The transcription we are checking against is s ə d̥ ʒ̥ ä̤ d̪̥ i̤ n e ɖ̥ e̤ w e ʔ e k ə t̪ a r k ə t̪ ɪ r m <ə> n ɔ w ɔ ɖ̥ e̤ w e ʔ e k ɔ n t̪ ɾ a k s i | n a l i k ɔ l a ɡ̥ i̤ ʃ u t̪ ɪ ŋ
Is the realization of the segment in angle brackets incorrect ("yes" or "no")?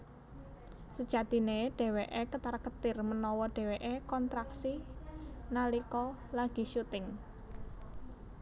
no